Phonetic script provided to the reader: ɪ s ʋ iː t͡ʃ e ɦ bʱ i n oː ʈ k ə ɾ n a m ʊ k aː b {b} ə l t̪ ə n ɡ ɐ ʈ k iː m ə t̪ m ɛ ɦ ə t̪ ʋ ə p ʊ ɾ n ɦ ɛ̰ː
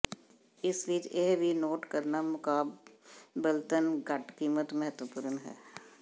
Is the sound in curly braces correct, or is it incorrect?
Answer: correct